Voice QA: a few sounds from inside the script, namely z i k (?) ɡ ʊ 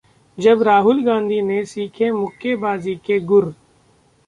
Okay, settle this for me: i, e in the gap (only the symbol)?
e